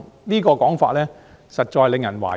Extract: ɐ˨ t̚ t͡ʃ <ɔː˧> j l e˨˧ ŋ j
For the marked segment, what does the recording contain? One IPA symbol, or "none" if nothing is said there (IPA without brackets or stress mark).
ɔː˧